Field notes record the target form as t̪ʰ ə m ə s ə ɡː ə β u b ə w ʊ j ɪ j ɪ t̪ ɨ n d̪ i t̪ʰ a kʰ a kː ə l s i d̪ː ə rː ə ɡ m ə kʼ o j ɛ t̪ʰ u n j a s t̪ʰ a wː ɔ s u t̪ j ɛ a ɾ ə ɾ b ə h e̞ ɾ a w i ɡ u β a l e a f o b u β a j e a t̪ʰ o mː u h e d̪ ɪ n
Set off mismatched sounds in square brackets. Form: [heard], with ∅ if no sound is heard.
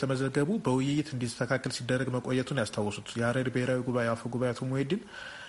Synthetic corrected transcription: t̪ʰ ə m ə [z] ə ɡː ə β u b ə w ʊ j ɪ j ɪ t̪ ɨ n d̪ i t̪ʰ [ə] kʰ a kː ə l s i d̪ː ə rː ə ɡ m ə kʼ o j ɛ t̪ʰ u n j a s t̪ʰ a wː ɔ s u t̪ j ɛ a ɾ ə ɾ b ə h e̞ ɾ a w i ɡ u β a [∅] e a f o [ɡ] u β a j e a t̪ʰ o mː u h e d̪ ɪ n